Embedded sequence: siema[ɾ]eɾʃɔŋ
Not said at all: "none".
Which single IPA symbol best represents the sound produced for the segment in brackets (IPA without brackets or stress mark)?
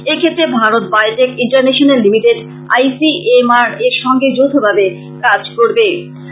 ɾ